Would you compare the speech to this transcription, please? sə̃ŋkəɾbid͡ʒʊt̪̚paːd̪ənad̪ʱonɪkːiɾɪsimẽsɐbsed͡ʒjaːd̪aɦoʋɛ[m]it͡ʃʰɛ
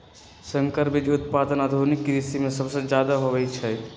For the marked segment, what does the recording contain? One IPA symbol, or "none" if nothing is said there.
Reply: none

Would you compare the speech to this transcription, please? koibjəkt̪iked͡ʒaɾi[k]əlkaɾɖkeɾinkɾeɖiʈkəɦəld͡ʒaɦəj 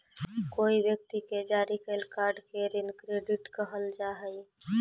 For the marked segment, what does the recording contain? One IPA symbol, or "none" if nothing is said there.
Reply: k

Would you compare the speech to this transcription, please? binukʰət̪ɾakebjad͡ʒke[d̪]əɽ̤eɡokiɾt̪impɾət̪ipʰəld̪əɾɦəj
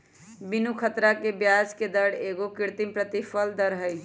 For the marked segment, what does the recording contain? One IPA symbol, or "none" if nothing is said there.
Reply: d̪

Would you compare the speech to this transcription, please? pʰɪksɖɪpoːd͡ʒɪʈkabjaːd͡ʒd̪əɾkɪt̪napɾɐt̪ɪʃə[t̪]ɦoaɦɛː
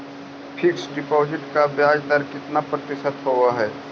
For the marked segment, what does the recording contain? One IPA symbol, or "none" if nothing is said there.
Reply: t̪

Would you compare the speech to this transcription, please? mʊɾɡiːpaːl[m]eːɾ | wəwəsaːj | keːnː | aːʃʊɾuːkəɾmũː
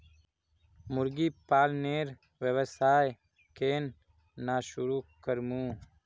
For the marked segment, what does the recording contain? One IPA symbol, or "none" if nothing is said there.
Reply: n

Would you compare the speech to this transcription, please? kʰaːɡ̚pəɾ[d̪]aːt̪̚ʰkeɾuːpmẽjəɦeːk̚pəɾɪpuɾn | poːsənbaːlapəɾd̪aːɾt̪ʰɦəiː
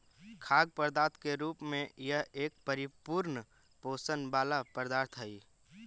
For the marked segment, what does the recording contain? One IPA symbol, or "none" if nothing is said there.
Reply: d̪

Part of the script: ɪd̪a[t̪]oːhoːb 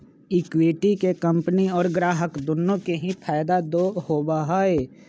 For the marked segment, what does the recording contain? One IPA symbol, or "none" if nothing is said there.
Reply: d̪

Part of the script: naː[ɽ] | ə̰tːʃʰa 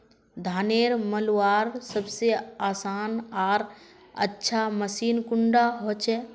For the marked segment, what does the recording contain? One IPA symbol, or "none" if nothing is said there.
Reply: ɾ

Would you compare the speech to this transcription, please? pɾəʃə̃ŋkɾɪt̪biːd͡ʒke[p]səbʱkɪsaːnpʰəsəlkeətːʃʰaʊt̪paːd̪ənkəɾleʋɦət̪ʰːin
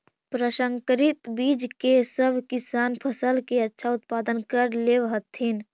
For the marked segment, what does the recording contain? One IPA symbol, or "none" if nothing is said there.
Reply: none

